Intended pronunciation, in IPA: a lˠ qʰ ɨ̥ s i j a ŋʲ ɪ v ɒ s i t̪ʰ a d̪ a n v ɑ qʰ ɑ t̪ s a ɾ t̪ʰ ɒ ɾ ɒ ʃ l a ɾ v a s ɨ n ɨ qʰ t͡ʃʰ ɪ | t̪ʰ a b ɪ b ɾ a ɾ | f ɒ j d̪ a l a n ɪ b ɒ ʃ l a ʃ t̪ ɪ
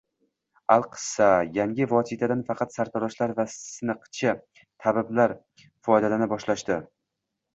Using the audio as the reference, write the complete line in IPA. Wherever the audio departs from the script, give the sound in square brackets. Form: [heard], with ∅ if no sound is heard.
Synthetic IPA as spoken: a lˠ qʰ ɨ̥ s [a] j a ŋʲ ɪ v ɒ s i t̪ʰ a d̪ a n [f] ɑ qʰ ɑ t̪ s a ɾ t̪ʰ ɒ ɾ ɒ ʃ l a ɾ v a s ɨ n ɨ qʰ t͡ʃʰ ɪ | t̪ʰ a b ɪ b [l] a ɾ | f ɒ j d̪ a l a n ɪ b ɒ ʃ l a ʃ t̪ ɪ